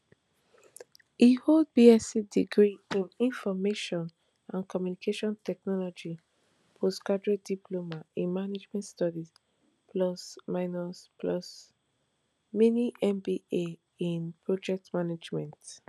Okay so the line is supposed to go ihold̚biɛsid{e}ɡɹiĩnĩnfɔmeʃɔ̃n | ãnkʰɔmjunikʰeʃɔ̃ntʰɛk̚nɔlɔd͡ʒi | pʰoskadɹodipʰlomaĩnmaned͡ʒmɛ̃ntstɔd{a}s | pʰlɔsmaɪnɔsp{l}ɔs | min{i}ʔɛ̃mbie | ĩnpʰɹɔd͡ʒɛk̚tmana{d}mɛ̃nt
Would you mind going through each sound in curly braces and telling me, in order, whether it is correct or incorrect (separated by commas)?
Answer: incorrect, incorrect, correct, correct, incorrect